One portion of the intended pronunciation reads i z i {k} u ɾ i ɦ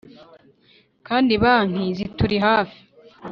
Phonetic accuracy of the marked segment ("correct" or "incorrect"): incorrect